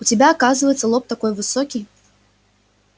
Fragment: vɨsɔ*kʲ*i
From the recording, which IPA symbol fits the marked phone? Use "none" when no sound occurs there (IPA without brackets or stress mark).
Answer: kʲ